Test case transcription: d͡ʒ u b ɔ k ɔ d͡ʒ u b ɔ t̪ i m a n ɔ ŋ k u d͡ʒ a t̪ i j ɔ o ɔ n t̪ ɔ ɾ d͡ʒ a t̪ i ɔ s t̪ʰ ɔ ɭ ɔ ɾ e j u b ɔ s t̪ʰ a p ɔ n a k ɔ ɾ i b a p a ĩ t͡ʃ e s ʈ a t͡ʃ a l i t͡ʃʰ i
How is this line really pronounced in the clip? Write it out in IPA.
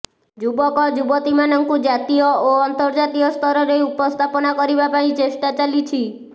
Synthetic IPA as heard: d͡ʒ u b ɔ k ɔ d͡ʒ u b ɔ t̪ i m a n ɔ ŋ k u d͡ʒ a t̪ i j ɔ o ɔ n t̪ ɔ ɾ d͡ʒ a t̪ i ɔ s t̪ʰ ɔ ɾ ɔ ɾ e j u p ɔ s t̪ʰ a p ɔ n a k ɔ ɾ i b a p a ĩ t͡ʃ e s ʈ a t͡ʃ a l i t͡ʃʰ i